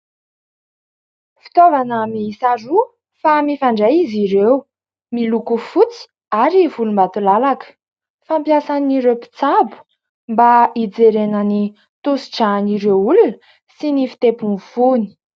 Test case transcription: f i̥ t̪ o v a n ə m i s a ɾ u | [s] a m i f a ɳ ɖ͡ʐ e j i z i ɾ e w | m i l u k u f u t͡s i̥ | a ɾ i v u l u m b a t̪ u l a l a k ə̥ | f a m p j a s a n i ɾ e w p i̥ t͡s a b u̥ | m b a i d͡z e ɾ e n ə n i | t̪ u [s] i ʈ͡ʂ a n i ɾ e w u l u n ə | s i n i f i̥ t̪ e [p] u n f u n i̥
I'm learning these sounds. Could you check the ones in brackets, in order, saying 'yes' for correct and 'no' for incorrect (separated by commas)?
no, yes, yes